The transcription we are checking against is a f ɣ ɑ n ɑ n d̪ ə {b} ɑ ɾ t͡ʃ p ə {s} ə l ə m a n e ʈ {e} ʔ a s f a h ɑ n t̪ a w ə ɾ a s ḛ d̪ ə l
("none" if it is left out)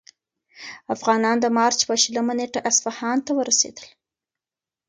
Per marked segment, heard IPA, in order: m, ʃ, a

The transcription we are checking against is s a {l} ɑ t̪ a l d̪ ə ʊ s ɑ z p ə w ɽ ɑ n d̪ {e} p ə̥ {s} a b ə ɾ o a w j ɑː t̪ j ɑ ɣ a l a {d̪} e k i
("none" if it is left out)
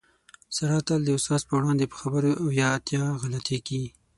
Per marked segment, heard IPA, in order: ɾ, e, x, t̪

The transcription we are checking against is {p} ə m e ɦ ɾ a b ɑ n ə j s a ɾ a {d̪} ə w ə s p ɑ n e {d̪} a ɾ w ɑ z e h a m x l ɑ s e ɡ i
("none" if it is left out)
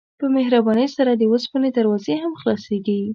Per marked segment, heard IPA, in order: p, d̪, d̪

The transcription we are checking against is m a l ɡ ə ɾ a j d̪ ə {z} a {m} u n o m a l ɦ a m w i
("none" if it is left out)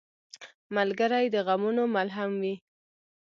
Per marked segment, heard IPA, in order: ɣ, m

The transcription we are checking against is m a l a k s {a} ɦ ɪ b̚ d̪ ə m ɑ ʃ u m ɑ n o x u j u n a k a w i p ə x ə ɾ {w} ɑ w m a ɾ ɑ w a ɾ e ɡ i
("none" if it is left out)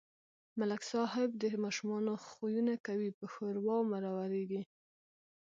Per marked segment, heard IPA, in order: ɑ, w

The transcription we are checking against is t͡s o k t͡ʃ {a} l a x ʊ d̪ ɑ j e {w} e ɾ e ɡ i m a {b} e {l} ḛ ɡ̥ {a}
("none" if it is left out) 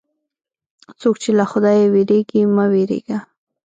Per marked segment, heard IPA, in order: e, w, w, ɾ, a

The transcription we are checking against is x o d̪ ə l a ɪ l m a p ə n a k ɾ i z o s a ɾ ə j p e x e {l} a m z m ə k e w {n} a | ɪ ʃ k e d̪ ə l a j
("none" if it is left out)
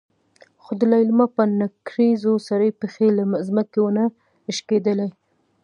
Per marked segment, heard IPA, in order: l, n

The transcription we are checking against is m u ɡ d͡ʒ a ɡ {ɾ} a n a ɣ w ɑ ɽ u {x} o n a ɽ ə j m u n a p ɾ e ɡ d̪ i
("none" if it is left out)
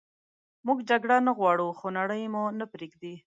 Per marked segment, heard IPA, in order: ɽ, x

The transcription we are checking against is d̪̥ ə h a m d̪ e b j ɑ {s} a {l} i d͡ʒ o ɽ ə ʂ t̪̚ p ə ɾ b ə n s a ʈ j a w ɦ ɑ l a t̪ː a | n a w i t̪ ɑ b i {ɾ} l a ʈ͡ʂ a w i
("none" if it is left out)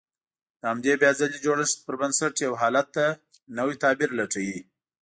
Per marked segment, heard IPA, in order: z, l, ɾ

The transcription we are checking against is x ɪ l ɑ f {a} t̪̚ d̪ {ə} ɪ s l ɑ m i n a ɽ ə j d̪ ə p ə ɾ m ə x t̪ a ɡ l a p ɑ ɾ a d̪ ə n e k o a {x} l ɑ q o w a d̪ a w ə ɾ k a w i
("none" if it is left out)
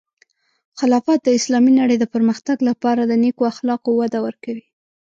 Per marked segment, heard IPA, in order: ɑ, ə, x

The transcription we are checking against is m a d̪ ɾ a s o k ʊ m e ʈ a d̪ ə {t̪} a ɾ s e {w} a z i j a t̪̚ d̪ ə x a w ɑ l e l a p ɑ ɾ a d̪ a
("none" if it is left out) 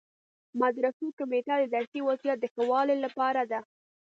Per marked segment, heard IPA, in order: d̪, w

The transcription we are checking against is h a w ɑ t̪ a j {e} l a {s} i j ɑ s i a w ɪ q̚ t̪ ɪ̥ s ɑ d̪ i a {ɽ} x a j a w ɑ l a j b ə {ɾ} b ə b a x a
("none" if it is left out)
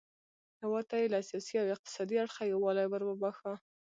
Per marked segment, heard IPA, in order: e, s, ɽ, ɾ

